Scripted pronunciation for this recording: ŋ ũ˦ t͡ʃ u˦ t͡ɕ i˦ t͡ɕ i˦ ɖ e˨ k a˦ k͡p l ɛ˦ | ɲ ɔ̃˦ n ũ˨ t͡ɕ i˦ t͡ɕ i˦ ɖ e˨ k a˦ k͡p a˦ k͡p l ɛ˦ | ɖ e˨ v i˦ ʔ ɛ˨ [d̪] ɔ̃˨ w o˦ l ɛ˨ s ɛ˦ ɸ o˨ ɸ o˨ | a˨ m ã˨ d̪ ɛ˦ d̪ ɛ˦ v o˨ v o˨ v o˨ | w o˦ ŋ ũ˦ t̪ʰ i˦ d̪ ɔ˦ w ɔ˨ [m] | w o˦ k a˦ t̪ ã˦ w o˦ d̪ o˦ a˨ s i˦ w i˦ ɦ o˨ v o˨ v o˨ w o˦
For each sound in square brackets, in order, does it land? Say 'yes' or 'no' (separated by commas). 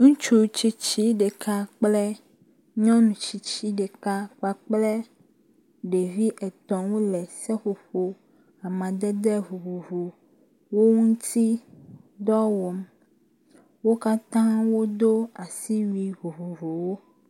no, yes